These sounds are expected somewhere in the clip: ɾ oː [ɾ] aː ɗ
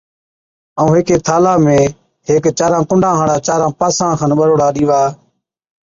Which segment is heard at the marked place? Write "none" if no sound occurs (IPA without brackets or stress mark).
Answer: ɽ